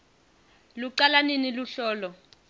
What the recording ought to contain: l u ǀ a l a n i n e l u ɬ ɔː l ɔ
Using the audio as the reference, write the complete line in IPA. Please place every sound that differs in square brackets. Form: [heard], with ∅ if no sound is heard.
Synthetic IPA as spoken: l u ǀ a l a n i n [i] l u ɬ ɔː l ɔ

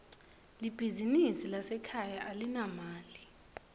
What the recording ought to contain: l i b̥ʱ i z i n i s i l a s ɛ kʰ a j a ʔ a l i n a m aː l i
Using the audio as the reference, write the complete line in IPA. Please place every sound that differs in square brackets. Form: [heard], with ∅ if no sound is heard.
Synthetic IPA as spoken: l i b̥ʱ i z i n i s i l a s ɛ kʰ a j a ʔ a l i n a m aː l i

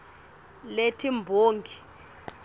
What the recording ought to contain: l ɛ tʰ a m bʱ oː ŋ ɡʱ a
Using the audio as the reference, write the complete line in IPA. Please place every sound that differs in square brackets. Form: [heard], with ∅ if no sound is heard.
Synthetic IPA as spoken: l [e] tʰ [i] m bʱ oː ŋ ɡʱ [i]

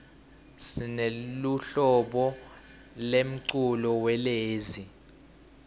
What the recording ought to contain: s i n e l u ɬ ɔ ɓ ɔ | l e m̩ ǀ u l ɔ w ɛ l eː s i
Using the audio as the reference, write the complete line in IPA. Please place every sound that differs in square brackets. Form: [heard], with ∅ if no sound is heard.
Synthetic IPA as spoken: s i n e l u ɬ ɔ ɓ ɔ | l e m̩ ǀ u l ɔ w ɛ l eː [z] i

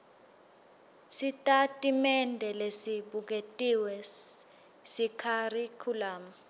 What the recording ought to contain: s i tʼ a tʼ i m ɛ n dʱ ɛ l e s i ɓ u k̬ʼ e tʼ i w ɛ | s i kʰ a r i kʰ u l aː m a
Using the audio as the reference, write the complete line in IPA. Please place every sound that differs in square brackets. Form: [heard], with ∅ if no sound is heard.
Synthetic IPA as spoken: s i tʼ a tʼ i m ɛ n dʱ ɛ l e s i ɓ u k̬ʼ e tʼ i w ɛ | s i kʰ a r i kʰ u l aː m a

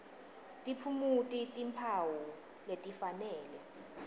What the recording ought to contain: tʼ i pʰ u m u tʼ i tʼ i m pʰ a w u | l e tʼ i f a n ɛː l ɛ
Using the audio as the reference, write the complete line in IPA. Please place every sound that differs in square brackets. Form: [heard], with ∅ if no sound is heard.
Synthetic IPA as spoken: tʼ i pʰ u m u tʼ i tʼ i m pʰ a w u | l e tʼ i f a n ɛː l ɛ

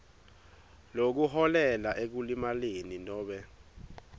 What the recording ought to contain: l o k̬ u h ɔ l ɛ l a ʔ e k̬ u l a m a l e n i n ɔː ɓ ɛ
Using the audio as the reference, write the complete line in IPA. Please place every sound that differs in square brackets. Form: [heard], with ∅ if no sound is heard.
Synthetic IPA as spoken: l o k̬ u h ɔ l ɛ l a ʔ e k̬ u l [i] m a l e n i n ɔː ɓ ɛ

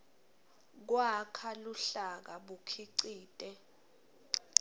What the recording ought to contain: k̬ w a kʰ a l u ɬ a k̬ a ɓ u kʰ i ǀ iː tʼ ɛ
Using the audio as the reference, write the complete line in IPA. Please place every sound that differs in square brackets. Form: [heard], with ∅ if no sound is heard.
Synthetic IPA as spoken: k̬ w a kʰ a l u ɬ a k̬ a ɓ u kʰ i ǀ iː tʼ ɛ

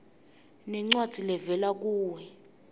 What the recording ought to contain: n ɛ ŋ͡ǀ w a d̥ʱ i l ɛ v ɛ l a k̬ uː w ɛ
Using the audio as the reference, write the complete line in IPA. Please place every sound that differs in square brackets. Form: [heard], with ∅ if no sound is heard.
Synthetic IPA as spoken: n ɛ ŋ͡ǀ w a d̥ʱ i l ɛ v ɛ l a k̬ uː w ɛ

